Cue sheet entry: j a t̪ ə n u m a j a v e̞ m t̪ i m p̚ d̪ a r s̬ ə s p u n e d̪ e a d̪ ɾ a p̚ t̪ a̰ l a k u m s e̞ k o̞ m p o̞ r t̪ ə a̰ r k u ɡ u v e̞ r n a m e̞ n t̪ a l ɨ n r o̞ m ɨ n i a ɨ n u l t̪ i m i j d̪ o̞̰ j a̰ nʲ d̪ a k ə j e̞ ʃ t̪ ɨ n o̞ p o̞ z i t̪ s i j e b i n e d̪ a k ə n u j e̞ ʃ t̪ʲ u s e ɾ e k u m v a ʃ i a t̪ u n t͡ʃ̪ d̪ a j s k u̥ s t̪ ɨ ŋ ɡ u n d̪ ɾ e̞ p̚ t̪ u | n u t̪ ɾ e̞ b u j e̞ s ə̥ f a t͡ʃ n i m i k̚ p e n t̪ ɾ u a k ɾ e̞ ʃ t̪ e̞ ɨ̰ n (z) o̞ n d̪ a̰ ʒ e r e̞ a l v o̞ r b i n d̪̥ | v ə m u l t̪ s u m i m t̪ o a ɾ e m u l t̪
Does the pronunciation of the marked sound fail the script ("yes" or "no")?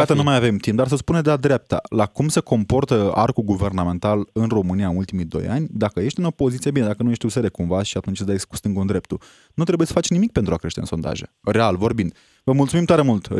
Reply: yes